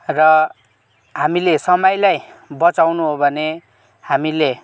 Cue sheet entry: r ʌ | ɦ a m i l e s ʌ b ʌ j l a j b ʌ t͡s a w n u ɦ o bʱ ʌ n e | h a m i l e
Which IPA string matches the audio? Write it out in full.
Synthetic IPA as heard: r ʌ | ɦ a m i l e s ʌ m ʌ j l a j b ʌ t͡s a w n u ɦ o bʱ ʌ n e | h a m i l e